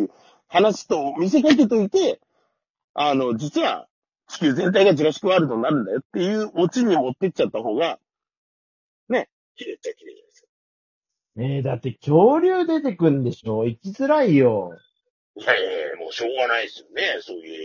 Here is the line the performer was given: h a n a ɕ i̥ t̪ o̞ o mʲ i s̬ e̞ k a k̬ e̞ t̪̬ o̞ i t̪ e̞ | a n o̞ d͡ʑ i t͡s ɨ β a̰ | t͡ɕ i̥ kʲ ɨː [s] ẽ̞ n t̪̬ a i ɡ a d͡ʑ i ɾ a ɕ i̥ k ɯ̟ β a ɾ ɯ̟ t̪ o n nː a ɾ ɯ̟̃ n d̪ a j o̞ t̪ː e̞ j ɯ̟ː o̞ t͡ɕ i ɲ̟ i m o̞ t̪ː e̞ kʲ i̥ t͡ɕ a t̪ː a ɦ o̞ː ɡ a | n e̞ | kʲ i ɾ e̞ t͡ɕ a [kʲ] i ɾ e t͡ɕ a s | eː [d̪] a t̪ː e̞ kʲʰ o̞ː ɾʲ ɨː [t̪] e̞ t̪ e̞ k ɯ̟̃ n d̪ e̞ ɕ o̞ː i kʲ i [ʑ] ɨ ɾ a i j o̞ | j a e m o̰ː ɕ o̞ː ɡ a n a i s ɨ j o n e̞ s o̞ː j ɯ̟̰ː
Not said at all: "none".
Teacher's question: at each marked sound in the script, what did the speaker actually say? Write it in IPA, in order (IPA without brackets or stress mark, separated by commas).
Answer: z, kʲ, d̪, d̪, z